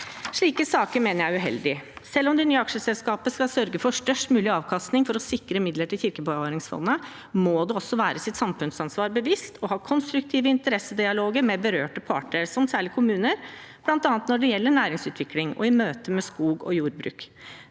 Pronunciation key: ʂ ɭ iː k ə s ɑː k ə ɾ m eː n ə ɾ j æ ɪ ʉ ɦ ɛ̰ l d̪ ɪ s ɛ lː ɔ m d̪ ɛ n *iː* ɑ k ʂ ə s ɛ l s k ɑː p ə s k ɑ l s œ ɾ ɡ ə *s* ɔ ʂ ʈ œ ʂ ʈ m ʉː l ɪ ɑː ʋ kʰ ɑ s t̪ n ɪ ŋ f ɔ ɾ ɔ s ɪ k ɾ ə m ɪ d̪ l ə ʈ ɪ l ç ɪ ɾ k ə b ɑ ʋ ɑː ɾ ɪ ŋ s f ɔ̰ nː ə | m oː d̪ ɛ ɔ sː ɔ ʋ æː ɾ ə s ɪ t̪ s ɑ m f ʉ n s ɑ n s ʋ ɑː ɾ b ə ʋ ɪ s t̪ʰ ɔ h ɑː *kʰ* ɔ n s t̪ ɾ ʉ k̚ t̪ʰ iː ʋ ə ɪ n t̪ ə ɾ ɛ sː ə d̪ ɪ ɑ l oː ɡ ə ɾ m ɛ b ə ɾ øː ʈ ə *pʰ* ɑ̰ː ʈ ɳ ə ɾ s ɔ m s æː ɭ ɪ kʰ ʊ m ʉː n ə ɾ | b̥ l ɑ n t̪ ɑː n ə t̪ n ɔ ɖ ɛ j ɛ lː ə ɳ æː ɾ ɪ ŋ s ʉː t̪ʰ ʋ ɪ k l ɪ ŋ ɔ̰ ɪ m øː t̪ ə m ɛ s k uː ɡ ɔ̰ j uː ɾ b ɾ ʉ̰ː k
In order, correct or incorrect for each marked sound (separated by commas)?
incorrect, incorrect, correct, correct